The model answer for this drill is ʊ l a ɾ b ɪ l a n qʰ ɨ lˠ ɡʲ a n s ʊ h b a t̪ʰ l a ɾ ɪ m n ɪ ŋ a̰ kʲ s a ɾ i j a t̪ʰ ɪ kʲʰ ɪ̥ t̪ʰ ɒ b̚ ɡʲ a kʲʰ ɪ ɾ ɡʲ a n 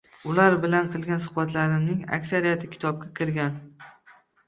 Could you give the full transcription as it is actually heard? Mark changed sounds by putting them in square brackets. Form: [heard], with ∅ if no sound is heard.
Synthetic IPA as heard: ʊ l a ɾ b ɪ l a n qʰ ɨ lˠ ɡʲ a n s ʊ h b a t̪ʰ l a ɾ ɪ m n ɪ ŋ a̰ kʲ s a ɾ i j a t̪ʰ ɪ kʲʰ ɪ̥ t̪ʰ ɒ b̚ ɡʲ a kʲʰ ɪ ɾ ɡʲ a n